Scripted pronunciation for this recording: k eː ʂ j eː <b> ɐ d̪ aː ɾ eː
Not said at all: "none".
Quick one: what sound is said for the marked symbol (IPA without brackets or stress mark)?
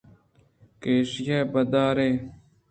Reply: b